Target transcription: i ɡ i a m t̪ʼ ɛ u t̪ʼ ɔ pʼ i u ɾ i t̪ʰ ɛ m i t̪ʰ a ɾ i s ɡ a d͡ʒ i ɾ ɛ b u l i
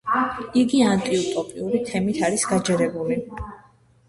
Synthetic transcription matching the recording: i ɡ i a n t̪ʼ i u t̪ʼ ɔ pʼ i u ɾ i t̪ʰ ɛ m i t̪ʰ a ɾ i s ɡ a d͡ʒ ɛ ɾ ɛ b u l i